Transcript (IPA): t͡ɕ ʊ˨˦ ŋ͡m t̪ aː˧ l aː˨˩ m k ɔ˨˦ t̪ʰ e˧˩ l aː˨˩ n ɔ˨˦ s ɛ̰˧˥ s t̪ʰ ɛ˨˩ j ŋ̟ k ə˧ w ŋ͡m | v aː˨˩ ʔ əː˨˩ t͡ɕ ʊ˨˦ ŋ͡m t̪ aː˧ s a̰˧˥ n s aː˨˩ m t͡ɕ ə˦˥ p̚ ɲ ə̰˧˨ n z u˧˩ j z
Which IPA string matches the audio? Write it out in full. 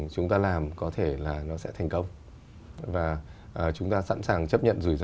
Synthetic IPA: t͡ɕ ʊ˨˦ ŋ͡m t̪ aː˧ l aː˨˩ m k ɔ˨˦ t̪ʰ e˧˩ l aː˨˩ n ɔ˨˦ s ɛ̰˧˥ t̪ʰ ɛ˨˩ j ŋ̟ k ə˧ w ŋ͡m | v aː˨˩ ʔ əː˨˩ t͡ɕ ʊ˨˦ ŋ͡m t̪ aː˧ s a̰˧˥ n s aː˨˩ ŋ t͡ɕ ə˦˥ p̚ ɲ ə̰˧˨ n z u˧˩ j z

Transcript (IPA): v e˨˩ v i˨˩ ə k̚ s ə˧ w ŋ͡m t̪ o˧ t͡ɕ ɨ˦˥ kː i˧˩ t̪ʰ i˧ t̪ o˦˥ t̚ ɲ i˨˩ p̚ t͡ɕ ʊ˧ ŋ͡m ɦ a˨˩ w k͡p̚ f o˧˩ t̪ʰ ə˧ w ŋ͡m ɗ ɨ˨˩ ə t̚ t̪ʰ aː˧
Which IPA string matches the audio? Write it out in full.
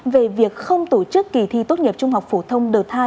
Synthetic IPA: v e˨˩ v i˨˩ ə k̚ x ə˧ w ŋ͡m t̪ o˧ t͡ɕ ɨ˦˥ kː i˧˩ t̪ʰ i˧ t̪ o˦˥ t̚ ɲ i˨˩ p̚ t͡ɕ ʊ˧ ŋ͡m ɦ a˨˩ w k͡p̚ f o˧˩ t̪ʰ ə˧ w ŋ͡m ɗ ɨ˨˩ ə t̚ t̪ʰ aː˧

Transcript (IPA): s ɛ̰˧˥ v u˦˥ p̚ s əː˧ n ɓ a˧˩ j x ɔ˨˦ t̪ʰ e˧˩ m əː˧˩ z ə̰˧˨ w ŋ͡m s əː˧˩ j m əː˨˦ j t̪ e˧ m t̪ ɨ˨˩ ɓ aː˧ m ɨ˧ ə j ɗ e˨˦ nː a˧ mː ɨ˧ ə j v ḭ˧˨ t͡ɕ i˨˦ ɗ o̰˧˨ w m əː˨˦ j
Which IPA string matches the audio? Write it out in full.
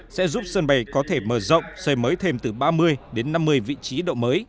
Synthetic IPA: s ɛ̰˧˥ z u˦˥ p̚ s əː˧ n ɓ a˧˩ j k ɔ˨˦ t̪ʰ e˧˩ m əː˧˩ z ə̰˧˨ w ŋ͡m s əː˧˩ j m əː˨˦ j t̪ʰ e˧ m t̪ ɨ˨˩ ɓ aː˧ m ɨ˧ ə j ɗ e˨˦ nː a˧ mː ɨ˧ ə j v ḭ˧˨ t͡ɕ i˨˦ ɗ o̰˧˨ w m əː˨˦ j

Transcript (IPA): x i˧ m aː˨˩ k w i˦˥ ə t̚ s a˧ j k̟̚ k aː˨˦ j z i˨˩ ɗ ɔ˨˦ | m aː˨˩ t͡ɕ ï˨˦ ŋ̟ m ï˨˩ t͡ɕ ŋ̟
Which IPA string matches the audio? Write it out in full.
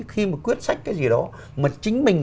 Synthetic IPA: x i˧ m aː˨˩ k w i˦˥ ə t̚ s a˦˥ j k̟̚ k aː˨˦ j z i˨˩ ɗ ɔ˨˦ | m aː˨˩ t͡ɕ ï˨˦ ŋ̟ m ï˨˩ ŋ̟

